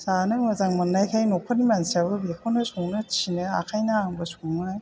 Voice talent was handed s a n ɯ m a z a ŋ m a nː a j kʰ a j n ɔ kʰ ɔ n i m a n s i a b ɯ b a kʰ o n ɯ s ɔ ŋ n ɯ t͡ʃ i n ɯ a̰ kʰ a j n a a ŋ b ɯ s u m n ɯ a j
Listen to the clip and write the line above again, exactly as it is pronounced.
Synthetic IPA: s a n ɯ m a z a ŋ m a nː a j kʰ a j n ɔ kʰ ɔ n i m a n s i a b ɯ b e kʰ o n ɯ s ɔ ŋ n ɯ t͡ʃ i n ɯ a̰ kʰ a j n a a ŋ b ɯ s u ŋ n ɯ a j